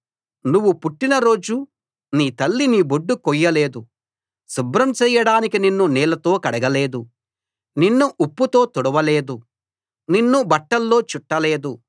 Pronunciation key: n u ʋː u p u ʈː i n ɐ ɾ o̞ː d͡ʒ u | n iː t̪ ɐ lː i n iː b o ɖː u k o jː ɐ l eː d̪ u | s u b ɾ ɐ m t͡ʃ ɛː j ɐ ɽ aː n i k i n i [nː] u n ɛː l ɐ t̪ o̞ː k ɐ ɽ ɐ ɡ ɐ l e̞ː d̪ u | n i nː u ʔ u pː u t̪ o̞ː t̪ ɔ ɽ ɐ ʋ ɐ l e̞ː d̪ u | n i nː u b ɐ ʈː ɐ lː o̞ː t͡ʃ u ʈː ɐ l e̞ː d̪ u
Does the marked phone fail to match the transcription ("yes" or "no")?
no